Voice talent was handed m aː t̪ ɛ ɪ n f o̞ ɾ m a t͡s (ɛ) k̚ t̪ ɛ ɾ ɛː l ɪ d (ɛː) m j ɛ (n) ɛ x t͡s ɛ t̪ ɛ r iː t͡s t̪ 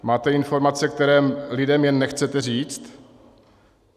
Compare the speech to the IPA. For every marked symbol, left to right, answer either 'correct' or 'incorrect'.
correct, incorrect, incorrect

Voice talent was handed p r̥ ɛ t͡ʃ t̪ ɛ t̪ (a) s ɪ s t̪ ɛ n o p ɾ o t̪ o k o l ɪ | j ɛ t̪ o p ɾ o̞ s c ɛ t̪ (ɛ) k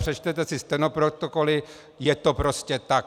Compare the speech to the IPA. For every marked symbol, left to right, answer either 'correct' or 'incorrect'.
incorrect, incorrect

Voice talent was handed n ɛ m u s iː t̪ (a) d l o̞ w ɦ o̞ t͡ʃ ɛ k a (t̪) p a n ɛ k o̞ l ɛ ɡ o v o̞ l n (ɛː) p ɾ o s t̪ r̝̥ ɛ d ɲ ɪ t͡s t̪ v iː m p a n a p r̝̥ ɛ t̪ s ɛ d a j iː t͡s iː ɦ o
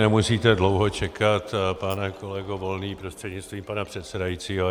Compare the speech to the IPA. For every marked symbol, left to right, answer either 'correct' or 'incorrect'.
incorrect, correct, incorrect

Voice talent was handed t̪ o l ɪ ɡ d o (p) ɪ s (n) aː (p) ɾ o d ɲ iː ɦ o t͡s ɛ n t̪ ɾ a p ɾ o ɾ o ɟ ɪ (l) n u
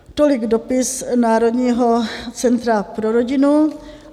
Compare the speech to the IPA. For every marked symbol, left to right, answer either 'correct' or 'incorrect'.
correct, correct, incorrect, incorrect

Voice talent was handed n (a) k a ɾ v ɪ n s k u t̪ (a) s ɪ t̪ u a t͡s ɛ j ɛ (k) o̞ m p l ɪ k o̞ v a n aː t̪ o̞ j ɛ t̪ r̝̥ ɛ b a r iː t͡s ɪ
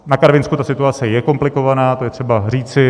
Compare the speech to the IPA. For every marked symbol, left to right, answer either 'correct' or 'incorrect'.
correct, correct, correct

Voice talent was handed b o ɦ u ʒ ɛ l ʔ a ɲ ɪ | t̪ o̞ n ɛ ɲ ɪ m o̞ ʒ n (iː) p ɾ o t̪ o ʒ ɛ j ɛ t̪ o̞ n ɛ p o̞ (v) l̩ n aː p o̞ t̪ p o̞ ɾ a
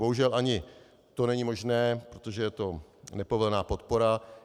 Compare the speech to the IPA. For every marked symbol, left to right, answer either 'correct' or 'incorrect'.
incorrect, correct

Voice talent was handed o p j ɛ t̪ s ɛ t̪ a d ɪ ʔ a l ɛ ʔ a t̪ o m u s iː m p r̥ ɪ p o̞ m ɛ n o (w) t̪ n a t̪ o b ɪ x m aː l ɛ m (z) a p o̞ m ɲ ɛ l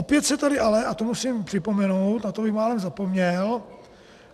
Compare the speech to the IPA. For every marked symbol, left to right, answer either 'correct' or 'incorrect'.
correct, correct

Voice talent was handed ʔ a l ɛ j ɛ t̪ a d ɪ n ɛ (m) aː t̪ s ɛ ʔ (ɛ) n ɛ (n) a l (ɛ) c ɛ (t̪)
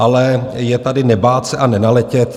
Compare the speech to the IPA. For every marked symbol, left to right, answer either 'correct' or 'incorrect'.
incorrect, incorrect, correct, correct, correct

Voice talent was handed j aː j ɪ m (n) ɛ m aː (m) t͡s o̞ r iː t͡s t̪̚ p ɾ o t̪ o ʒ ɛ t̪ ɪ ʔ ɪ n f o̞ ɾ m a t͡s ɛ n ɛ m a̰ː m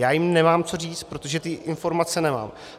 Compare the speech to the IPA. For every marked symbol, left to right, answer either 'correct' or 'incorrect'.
correct, correct

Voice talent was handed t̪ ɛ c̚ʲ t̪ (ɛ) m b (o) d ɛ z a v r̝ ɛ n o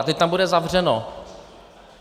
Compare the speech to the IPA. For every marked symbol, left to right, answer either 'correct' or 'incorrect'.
incorrect, incorrect

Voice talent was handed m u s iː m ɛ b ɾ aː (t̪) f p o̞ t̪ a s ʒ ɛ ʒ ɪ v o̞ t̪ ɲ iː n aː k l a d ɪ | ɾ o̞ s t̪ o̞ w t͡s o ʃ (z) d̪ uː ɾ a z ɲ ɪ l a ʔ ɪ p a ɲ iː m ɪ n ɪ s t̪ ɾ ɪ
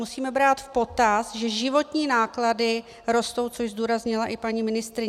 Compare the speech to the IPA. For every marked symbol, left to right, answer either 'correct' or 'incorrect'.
correct, correct

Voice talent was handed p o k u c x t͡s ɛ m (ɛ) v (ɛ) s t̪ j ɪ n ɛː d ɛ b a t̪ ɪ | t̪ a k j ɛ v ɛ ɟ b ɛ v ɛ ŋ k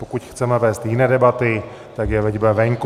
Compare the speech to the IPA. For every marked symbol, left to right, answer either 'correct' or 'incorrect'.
correct, incorrect

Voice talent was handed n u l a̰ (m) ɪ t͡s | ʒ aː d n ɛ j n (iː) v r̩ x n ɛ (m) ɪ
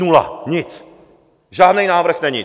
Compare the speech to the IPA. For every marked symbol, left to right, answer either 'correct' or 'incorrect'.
incorrect, incorrect, incorrect

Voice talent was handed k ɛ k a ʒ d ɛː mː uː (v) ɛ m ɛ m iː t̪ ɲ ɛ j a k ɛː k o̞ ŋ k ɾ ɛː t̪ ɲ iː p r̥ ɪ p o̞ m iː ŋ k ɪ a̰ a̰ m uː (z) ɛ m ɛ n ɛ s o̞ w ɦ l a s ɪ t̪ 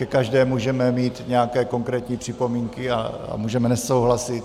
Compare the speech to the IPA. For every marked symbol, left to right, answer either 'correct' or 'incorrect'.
incorrect, incorrect

